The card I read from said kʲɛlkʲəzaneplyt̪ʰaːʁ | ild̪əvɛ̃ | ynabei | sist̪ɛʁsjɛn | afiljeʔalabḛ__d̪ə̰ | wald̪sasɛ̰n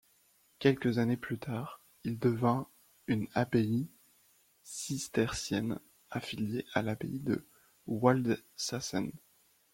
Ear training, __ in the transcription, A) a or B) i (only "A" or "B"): B